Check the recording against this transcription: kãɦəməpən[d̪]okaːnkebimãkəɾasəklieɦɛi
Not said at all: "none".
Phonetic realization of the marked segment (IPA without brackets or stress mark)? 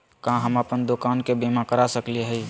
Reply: d̪